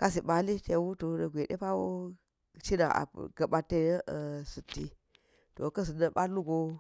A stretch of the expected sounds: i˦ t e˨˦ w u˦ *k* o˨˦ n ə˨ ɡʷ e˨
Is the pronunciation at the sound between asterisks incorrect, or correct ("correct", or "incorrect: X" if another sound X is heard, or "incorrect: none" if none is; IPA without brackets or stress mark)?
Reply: incorrect: t